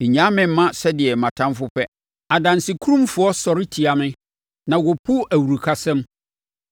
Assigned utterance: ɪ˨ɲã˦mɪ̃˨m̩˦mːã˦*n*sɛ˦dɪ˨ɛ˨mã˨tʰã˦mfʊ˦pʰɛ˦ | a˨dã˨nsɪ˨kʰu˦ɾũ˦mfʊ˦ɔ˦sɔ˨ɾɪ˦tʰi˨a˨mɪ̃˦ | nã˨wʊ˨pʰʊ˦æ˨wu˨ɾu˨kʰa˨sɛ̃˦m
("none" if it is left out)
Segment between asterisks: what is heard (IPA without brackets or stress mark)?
none